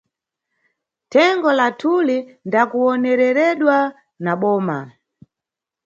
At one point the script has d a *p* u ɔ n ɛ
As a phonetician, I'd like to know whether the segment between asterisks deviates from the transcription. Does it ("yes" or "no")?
yes